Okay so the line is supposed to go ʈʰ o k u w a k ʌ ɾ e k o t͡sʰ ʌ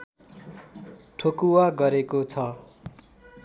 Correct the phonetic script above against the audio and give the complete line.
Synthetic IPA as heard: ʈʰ o k u w a ɡ ʌ ɾ e k o t͡sʰ ʌ